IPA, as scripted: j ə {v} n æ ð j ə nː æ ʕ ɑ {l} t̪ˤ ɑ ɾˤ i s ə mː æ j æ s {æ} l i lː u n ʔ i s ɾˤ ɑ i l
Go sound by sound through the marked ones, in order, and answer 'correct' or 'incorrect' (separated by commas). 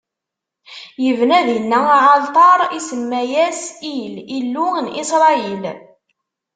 correct, correct, incorrect